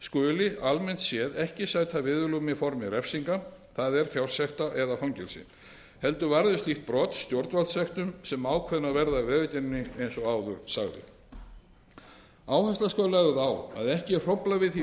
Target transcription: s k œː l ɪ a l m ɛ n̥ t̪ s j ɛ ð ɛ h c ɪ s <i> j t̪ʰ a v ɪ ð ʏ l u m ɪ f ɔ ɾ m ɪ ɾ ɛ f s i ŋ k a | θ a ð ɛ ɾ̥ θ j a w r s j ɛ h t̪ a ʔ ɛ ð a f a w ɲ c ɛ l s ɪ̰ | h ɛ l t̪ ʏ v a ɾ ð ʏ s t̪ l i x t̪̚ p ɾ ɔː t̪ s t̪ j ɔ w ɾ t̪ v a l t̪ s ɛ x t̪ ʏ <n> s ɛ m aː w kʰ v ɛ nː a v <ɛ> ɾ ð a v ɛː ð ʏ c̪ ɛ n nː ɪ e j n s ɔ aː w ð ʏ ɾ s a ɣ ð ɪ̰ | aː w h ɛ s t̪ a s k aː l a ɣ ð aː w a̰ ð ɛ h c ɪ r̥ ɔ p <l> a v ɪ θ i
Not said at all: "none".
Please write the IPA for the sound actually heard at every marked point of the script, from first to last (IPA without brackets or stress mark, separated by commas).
a, m, ɛ, l